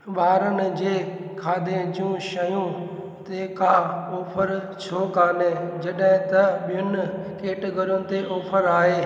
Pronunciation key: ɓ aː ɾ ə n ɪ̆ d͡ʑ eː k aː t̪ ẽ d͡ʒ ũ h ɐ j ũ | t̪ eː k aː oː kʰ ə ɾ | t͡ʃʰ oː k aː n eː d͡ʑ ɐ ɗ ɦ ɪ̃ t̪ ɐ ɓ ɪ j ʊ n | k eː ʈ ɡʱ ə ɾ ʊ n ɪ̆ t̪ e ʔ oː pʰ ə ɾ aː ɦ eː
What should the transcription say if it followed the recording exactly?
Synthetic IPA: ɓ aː ɾ ə n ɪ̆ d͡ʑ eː kʰ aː d̪ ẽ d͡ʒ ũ ʃ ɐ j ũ | t̪ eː k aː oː pʰ ə ɾ | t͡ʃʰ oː k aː n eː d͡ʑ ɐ ɗ ɦ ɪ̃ t̪ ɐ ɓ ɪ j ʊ n | k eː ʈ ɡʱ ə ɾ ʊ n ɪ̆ t̪ e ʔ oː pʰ ə ɾ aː ɦ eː